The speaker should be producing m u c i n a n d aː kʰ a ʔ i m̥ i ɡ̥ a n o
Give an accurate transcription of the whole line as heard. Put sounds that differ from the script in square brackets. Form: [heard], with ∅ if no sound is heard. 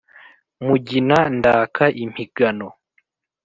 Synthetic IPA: m u [ɟ] i n a n d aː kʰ a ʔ i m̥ i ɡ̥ a n o